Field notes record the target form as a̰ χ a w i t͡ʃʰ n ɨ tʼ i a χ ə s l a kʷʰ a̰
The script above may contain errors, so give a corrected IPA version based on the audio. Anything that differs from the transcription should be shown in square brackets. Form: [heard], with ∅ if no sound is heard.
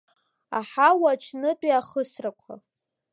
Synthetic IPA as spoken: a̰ [ħ] a w [a] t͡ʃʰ n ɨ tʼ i a χ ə s [r] a kʷʰ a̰